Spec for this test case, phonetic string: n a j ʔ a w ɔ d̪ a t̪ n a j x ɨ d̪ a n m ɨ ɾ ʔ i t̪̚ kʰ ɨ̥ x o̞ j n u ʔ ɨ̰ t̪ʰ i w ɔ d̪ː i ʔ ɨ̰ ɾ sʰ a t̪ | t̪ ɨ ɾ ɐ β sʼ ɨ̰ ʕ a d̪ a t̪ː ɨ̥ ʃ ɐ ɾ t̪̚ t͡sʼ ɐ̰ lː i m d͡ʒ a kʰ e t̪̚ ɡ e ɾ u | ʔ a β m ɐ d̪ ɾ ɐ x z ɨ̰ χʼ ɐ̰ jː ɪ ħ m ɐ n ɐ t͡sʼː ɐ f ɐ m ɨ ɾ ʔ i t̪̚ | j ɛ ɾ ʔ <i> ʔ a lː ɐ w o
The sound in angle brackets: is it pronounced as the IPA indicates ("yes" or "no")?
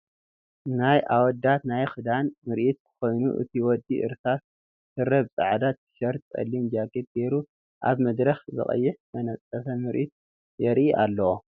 yes